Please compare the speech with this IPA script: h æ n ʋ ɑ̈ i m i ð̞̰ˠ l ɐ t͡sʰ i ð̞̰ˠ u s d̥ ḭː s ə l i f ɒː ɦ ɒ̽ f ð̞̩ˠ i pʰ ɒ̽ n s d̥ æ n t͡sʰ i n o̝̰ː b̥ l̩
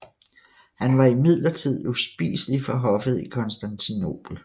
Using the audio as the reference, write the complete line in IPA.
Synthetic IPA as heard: h æ n ʋ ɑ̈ i m i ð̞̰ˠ l ɐ t͡sʰ i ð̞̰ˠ u s b̥ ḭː s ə l i f ɒ ɦ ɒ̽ f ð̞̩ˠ i kʰ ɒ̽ n s d̥ æ n t͡sʰ i n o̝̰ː b̥ l̩